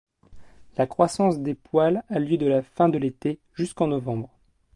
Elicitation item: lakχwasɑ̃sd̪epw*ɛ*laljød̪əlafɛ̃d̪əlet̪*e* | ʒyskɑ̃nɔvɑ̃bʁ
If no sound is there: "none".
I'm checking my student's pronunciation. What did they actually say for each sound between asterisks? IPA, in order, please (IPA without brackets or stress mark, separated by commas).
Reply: a, e